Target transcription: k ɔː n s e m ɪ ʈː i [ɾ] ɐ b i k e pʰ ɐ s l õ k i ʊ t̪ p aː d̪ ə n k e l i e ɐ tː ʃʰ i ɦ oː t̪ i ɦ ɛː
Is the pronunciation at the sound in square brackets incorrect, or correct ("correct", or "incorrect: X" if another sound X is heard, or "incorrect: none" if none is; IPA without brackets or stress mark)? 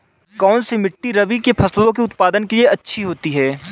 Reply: correct